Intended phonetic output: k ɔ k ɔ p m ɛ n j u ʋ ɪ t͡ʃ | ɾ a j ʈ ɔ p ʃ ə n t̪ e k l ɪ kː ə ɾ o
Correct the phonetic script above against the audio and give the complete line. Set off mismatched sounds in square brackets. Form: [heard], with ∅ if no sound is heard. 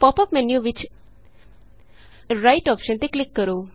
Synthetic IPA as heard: [p] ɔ [p] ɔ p m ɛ n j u ʋ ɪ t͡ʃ | ɾ a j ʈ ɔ p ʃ ə n t̪ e k l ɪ kː ə ɾ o